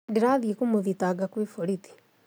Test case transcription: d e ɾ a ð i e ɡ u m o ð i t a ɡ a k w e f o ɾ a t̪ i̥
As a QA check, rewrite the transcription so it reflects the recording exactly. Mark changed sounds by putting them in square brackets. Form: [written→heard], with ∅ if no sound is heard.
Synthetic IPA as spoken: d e ɾ a ð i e [ɡ→k] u m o ð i t a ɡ a k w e f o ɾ [a→i] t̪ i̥